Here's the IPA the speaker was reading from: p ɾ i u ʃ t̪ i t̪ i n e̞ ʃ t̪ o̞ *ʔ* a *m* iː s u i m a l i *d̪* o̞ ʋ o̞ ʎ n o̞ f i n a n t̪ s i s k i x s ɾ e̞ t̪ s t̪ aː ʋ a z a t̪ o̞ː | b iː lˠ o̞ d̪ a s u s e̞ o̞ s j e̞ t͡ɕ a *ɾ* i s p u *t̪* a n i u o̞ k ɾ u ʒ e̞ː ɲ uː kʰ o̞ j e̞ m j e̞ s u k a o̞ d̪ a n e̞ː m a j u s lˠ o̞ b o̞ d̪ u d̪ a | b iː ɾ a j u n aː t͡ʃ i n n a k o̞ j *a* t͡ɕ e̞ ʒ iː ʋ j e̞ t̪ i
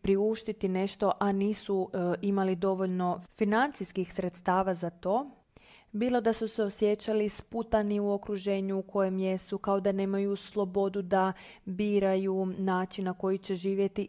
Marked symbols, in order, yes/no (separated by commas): yes, no, yes, no, yes, no